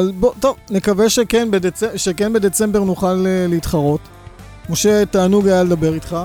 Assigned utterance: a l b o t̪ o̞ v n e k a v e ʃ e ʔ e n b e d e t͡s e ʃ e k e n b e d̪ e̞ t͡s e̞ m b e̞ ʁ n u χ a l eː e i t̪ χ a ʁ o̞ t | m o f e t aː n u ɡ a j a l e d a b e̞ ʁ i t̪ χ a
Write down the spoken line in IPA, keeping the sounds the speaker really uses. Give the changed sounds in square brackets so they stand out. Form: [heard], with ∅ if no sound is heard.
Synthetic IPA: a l b o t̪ o̞ v n e k a v e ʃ e [k] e n b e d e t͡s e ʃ e k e n b e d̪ e̞ t͡s e̞ m b e̞ ʁ n u χ a l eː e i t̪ χ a ʁ o̞ t | m o [ʃ] e t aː n u ɡ a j a l e d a b e̞ ʁ i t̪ χ a